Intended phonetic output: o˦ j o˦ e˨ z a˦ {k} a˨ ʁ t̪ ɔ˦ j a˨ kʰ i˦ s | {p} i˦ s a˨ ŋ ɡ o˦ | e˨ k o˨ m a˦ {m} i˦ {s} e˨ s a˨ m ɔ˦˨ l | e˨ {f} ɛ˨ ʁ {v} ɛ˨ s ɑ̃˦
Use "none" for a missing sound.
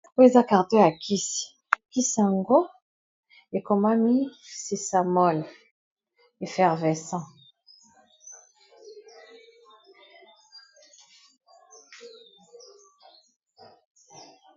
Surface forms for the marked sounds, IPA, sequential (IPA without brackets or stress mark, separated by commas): k, k, m, s, f, v